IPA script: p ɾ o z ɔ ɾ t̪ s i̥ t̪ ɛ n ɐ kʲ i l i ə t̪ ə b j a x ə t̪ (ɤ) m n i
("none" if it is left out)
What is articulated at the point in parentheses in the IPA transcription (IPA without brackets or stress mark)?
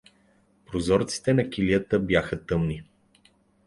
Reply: ɤ